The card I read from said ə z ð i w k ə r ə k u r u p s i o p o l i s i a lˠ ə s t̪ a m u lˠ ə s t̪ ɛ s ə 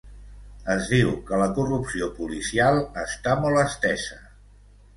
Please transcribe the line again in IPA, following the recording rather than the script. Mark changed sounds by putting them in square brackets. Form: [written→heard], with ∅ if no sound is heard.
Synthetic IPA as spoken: ə z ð i w k ə [r→l] ə k u r u p s i o p [o→u] l i s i a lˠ ə s t̪ a m [u→ɔ] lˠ ə s t̪ ɛ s ə